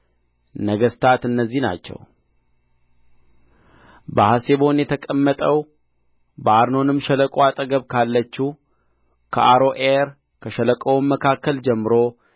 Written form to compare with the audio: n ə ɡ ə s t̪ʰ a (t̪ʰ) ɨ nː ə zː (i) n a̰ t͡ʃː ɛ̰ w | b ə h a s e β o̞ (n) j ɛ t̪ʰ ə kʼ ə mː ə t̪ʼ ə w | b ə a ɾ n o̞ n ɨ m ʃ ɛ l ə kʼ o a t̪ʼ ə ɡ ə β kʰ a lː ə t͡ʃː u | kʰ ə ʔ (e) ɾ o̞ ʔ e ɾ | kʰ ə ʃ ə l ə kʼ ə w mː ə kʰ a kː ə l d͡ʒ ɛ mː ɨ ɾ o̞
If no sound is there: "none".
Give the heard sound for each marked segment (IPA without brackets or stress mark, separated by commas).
t̪, i, n, a